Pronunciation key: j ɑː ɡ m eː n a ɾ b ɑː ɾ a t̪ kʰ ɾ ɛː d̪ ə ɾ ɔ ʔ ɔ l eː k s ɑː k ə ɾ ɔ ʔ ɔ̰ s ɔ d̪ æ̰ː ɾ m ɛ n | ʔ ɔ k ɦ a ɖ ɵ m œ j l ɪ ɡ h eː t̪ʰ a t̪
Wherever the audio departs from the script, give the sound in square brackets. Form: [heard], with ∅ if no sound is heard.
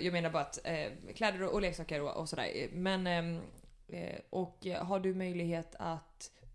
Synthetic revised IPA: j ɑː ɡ m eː n a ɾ b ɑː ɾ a t̪ kʰ [l] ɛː d̪ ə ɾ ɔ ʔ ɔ l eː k s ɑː k ə ɾ ɔ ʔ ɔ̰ s ɔ d̪ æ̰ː ɾ m ɛ n | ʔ ɔ k ɦ a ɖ ɵ m œ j l ɪ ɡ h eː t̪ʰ a t̪